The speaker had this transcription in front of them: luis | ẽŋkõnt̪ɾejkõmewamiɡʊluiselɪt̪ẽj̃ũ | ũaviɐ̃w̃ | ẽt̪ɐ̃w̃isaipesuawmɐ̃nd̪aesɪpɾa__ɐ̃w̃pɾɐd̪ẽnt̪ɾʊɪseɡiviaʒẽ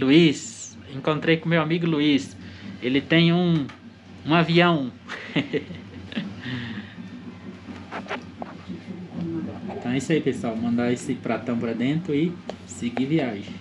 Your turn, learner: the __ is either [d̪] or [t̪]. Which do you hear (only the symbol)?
t̪